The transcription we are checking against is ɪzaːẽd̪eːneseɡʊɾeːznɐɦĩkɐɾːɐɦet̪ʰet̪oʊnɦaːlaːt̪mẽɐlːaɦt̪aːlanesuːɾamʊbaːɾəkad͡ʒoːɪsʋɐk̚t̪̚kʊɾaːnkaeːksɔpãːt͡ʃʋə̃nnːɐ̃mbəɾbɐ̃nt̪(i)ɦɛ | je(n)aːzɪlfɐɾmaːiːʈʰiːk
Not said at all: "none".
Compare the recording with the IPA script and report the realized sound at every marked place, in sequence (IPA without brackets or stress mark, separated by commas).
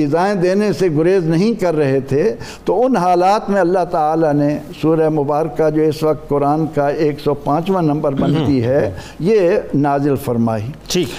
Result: i, n